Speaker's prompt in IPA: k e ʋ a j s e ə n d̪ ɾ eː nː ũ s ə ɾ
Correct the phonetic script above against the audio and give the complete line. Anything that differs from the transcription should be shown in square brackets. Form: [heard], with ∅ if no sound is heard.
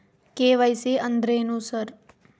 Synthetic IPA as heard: k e ʋ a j s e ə n d̪ ɾ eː [n] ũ s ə ɾ